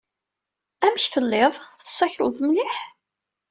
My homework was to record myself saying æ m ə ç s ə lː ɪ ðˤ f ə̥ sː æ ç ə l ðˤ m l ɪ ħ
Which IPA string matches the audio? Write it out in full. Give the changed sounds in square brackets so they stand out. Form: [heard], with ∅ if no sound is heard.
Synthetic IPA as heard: æ m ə ç [θ] ə lː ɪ ðˤ [θ] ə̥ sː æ ç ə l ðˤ m l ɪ ħ